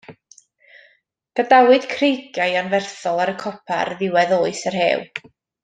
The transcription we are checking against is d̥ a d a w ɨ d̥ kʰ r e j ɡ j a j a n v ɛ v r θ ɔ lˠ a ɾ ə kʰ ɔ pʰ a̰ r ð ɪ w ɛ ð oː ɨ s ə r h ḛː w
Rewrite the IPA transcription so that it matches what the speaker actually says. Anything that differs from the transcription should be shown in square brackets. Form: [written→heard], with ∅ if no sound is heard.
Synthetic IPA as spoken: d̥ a d a w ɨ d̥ kʰ r e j ɡ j a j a n v ɛ [v→∅] r θ ɔ lˠ a ɾ ə kʰ ɔ pʰ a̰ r ð ɪ w ɛ ð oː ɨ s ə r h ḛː w